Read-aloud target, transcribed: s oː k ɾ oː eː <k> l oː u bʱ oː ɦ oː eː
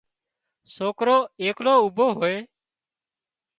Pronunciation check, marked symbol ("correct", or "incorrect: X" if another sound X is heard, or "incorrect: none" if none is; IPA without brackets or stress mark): correct